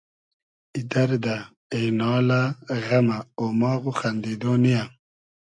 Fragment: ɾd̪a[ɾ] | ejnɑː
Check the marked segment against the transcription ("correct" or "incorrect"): incorrect